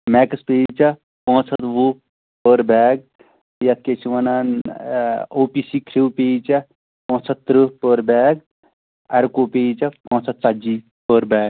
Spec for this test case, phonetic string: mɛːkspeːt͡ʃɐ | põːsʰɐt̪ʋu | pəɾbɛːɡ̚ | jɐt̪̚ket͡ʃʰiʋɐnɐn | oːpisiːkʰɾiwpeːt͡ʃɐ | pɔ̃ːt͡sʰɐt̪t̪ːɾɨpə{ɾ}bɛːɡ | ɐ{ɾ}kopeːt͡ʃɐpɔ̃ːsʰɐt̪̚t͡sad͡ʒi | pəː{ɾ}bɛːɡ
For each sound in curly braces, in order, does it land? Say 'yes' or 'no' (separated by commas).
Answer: yes, yes, yes